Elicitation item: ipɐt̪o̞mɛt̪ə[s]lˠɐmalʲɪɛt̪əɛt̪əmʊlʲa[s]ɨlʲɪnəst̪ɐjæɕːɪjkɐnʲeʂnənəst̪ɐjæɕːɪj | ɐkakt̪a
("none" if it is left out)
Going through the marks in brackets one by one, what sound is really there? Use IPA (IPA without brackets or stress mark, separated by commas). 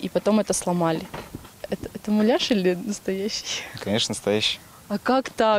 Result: s, ʂ